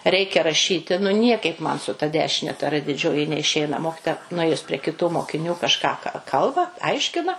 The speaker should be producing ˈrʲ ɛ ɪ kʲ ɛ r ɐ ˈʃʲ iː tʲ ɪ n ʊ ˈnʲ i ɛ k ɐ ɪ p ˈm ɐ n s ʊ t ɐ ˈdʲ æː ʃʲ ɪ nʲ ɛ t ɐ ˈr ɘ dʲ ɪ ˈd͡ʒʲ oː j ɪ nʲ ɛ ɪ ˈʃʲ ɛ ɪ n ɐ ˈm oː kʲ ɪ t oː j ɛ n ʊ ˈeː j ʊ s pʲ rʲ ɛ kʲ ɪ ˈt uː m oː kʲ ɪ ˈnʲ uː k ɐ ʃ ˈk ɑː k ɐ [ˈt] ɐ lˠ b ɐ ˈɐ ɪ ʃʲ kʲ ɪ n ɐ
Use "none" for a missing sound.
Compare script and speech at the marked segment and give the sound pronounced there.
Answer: k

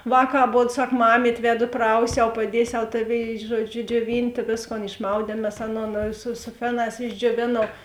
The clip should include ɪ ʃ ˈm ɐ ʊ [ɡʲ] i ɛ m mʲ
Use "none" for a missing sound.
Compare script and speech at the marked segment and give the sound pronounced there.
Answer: dʲ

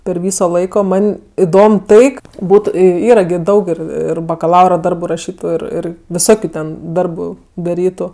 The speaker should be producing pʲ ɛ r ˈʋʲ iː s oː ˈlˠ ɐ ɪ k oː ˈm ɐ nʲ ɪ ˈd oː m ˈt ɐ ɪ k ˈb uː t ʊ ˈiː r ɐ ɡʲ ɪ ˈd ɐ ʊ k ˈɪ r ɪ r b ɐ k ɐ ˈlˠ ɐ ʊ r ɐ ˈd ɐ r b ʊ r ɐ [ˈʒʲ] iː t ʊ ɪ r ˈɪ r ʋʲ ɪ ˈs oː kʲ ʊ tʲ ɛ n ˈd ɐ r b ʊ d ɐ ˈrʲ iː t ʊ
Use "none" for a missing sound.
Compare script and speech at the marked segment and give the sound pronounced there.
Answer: ʃʲ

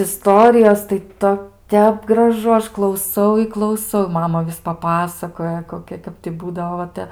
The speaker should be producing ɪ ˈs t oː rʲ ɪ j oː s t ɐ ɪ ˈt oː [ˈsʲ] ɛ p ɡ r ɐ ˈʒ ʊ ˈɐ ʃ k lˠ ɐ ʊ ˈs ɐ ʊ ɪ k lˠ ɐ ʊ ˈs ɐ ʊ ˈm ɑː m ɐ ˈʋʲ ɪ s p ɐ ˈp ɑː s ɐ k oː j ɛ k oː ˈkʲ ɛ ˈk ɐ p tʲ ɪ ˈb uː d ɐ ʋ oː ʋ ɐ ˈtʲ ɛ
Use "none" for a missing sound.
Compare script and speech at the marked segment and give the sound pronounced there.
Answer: tʲ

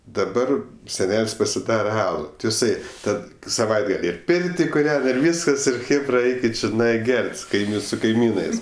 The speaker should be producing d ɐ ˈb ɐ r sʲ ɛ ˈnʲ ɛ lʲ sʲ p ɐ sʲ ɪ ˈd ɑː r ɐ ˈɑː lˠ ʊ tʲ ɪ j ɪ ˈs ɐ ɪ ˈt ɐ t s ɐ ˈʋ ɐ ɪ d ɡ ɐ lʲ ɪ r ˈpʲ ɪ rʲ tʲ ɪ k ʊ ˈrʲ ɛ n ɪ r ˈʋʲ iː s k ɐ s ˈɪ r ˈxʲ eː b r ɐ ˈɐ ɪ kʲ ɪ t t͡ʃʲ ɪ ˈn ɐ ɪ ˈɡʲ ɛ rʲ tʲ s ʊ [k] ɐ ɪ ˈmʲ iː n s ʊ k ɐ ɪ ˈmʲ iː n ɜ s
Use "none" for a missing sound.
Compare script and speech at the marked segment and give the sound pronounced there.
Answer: k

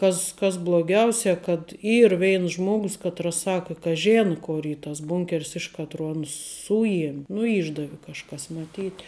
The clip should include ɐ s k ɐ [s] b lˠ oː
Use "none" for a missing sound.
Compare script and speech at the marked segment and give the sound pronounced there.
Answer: s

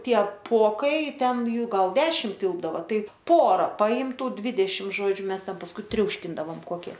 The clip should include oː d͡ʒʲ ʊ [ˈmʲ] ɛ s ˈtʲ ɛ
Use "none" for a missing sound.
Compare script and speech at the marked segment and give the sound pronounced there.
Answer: mʲ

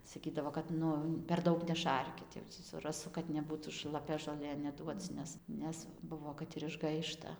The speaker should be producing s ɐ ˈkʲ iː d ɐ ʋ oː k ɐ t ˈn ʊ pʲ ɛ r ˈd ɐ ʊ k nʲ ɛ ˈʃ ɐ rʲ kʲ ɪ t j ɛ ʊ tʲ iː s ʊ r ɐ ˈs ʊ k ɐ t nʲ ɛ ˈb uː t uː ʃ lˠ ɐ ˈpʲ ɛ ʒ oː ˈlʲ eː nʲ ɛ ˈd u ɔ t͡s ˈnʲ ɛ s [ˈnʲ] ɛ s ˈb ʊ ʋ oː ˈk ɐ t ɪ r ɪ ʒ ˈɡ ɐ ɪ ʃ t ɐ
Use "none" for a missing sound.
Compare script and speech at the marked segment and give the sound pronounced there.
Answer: nʲ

